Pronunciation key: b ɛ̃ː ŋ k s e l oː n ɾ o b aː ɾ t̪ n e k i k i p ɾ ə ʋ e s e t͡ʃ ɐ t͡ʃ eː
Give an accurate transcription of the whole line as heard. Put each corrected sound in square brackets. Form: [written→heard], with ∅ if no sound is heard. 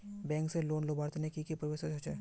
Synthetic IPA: b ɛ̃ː ŋ k s e l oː n [ɾ→l] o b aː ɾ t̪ n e k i k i p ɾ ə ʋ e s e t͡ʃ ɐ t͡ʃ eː